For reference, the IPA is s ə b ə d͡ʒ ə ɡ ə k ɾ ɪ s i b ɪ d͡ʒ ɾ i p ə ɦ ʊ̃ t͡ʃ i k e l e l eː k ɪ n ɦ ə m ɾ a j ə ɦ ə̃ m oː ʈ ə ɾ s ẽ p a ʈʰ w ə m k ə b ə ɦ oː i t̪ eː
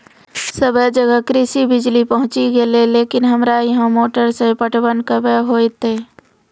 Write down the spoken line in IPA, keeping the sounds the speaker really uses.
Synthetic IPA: s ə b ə d͡ʒ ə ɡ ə k ɾ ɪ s i b ɪ d͡ʒ l i p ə ɦ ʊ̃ t͡ʃ i ɡ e l e l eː k ɪ n ɦ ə m ɾ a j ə ɦ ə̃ m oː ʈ ə ɾ s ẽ p ə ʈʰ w ə n k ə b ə ɦ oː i t̪ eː